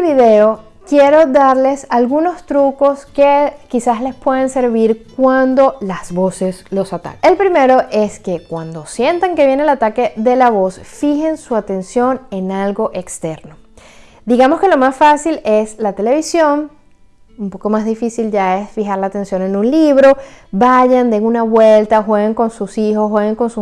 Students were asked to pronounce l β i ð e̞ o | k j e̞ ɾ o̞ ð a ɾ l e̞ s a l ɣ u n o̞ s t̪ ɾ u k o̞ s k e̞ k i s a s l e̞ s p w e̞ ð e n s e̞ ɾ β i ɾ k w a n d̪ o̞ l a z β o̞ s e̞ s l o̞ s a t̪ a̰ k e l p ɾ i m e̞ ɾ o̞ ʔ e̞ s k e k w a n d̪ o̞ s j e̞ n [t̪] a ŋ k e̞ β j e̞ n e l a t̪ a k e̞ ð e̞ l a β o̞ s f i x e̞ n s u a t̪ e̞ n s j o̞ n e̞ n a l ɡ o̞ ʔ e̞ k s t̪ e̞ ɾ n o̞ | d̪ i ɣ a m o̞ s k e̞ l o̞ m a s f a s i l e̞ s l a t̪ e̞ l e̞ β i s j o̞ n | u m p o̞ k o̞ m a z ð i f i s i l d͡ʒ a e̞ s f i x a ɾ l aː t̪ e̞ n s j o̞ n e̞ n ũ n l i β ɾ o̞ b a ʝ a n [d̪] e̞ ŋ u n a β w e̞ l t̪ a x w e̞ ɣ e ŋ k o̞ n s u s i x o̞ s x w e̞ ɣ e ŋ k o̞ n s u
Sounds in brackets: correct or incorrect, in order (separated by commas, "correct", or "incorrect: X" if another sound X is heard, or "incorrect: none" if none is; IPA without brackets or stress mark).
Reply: correct, correct